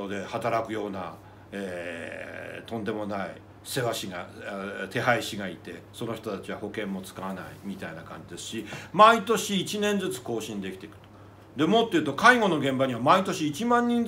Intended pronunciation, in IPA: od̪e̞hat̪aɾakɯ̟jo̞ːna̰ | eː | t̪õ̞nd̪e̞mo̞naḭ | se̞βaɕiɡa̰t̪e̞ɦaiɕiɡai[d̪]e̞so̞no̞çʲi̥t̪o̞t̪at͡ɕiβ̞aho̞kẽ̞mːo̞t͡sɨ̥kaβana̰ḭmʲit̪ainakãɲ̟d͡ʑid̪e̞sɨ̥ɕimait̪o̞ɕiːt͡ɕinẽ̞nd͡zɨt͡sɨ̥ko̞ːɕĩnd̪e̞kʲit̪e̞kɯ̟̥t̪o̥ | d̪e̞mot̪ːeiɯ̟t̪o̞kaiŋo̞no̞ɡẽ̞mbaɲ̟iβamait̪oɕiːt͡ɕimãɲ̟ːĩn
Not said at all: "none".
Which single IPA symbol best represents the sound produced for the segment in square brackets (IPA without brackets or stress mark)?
t̪